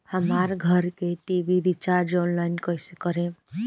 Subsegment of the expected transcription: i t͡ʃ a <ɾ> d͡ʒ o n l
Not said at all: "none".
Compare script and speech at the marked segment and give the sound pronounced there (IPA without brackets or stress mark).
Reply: ɾ